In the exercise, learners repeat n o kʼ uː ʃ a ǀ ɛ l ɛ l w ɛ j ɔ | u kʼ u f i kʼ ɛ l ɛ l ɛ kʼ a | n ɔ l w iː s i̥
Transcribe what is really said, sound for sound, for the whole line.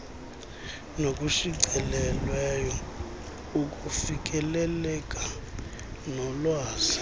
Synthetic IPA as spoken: n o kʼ u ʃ i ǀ ɛ l ɛ l w ɛ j ɔ | u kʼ u f i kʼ ɛ l ɛ l ɛ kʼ a | n ɔ l w aː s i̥